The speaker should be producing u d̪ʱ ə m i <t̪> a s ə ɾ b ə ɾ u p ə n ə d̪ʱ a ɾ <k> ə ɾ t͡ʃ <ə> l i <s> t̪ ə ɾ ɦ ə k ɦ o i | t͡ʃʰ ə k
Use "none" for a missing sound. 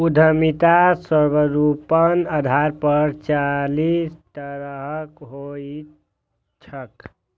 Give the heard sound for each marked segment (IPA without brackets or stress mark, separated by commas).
t̪, p, a, s